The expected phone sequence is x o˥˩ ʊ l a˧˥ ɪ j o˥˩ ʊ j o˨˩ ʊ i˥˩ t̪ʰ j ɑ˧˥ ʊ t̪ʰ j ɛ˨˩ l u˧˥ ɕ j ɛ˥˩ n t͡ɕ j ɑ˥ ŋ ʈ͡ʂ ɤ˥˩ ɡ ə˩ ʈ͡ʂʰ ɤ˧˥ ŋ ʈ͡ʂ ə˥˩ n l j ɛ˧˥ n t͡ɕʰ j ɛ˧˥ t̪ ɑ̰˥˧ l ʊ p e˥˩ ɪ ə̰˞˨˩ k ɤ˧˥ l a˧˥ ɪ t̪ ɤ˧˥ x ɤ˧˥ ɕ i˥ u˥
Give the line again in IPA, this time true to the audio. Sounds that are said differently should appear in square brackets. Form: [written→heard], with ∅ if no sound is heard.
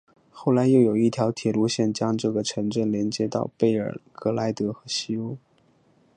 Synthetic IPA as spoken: x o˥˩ ʊ l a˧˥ ɪ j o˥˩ ʊ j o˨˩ ʊ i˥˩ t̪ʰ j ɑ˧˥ ʊ t̪ʰ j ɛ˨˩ l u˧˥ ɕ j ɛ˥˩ n t͡ɕ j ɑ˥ ŋ ʈ͡ʂ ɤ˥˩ ɡ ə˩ ʈ͡ʂʰ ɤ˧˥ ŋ ʈ͡ʂ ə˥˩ n l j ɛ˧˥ n [t͡ɕʰ→t͡ɕ] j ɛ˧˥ t̪ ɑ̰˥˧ [l→∅] ʊ p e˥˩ ɪ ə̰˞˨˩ k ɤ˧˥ l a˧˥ ɪ t̪ ɤ˧˥ x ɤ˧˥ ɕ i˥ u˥